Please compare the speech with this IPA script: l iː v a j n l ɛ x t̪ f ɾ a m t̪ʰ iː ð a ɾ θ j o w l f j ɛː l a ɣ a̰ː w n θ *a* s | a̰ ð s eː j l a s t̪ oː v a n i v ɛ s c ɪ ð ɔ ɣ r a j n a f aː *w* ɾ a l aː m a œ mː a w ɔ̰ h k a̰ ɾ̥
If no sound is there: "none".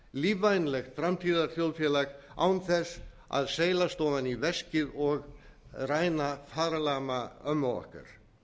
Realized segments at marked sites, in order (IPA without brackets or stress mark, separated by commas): ɛ, none